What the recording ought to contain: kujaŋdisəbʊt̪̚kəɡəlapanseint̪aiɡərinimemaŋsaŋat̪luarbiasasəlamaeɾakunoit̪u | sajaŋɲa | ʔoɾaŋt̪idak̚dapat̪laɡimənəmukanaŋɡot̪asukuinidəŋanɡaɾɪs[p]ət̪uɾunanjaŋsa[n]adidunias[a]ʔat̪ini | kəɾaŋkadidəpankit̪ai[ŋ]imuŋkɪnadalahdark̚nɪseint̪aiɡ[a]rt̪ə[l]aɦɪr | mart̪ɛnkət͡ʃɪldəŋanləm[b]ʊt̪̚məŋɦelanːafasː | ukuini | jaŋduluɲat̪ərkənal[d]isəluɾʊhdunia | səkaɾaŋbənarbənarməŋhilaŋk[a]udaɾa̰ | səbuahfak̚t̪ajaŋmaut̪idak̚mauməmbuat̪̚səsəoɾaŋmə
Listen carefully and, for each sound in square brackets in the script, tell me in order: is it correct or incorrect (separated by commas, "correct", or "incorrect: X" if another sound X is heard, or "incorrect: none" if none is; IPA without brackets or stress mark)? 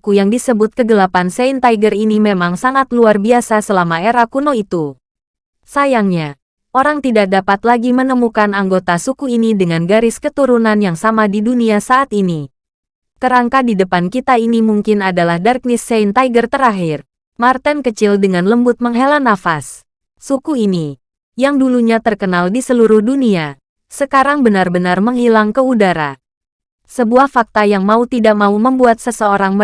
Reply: incorrect: k, incorrect: m, correct, incorrect: n, incorrect: ə, incorrect: ɾ, correct, correct, incorrect: ə